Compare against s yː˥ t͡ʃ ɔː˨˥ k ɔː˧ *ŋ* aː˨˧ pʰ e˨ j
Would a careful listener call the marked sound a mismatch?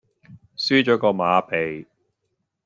yes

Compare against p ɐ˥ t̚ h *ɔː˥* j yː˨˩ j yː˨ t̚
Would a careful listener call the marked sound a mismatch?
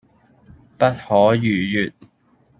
yes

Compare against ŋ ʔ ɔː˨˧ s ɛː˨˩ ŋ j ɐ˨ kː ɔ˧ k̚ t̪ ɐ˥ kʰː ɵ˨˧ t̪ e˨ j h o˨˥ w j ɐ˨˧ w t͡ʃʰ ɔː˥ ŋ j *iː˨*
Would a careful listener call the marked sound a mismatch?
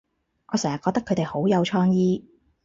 yes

